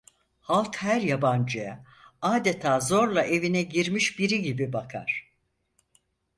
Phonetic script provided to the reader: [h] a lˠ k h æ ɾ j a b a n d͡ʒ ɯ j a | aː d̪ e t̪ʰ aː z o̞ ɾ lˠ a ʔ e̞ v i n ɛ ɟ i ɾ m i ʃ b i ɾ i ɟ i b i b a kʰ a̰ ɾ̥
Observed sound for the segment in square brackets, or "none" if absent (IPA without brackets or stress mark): h